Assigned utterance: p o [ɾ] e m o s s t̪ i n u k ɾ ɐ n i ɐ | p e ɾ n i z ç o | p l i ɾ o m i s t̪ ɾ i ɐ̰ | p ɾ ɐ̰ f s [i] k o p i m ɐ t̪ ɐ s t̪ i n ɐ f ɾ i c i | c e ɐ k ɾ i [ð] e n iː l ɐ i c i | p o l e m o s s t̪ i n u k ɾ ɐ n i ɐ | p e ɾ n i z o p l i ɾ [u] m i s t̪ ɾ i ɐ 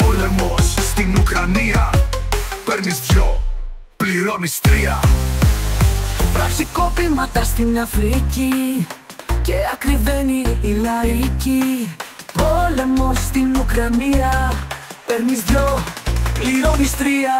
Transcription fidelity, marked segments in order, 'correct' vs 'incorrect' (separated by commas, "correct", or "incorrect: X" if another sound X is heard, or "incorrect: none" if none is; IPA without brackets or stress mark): incorrect: l, correct, incorrect: v, incorrect: o